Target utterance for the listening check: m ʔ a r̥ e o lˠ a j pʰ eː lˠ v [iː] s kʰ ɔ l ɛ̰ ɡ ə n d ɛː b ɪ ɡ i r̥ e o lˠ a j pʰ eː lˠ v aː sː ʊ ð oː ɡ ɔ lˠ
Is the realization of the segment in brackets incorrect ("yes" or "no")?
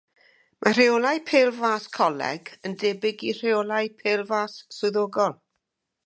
yes